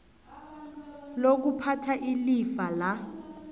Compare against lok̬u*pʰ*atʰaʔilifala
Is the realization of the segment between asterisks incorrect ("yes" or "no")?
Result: no